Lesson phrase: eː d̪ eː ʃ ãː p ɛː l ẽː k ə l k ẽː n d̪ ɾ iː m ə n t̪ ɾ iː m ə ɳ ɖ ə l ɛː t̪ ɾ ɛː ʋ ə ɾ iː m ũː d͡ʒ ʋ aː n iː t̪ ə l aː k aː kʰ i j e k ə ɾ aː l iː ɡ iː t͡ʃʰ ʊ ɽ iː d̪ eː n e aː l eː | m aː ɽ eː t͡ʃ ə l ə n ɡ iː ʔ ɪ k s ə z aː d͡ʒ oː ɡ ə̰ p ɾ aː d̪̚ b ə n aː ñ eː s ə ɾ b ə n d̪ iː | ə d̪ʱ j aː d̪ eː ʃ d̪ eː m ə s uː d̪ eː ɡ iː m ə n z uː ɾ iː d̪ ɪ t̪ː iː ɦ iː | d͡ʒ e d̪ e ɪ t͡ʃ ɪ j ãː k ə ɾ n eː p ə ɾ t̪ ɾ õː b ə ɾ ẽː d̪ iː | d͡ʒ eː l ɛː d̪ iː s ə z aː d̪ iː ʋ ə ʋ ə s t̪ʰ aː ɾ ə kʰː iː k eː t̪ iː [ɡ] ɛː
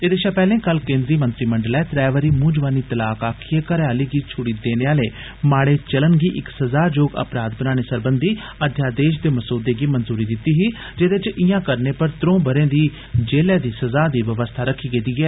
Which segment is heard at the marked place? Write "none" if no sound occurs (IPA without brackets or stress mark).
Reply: ɡ